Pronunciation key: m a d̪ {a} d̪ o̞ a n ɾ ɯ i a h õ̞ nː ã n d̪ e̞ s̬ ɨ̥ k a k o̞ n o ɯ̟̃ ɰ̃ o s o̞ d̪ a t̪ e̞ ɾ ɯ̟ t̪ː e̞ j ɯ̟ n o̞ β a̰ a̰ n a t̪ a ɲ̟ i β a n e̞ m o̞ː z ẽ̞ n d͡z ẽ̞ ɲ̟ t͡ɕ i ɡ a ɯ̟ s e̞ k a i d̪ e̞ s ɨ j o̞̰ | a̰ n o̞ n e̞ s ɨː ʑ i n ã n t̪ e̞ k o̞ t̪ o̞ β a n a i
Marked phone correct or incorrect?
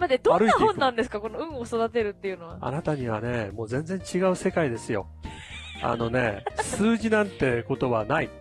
incorrect